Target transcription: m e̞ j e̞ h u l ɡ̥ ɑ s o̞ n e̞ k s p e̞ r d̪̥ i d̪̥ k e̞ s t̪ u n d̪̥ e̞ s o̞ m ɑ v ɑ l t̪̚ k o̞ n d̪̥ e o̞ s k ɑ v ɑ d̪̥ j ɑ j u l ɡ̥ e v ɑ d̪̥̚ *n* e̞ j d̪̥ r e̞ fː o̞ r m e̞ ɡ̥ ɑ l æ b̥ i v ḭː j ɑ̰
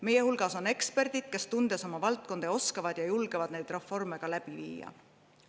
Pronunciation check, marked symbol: correct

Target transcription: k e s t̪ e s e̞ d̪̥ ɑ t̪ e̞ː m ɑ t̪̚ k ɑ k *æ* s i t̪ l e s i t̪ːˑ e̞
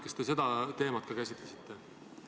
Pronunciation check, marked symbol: correct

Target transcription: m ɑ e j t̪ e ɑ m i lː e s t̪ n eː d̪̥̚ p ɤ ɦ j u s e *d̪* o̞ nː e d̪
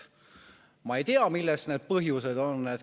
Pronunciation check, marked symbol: correct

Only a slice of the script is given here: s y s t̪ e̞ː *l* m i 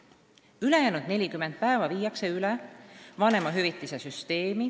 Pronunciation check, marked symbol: incorrect: none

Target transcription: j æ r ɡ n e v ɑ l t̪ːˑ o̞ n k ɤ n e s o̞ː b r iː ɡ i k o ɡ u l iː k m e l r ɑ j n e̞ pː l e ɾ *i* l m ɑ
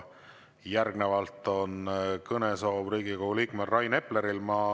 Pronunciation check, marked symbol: correct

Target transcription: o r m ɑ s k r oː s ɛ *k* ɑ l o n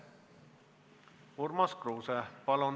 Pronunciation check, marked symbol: incorrect: p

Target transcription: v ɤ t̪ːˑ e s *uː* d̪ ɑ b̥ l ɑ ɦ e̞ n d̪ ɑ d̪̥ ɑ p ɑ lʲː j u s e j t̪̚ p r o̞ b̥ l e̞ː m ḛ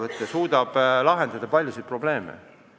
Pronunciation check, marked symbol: correct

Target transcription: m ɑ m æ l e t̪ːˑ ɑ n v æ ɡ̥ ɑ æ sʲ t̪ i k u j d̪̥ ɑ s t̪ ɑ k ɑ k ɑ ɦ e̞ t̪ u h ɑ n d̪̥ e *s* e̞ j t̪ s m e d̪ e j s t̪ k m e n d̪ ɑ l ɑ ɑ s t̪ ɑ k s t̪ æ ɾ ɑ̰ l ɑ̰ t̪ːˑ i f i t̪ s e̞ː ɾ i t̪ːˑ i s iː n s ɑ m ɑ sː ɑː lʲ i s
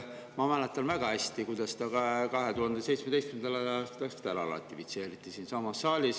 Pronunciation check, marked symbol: correct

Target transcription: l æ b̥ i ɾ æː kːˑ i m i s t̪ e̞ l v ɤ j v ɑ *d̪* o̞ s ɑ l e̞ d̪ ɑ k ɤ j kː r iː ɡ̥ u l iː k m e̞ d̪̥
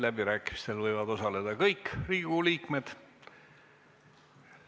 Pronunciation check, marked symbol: correct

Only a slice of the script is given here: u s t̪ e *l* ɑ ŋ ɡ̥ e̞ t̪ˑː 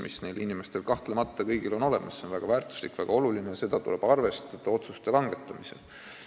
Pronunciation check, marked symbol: correct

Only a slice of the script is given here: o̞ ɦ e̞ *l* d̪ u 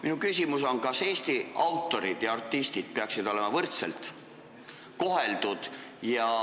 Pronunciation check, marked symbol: correct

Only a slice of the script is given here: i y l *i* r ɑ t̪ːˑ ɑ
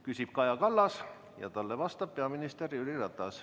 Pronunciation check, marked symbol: correct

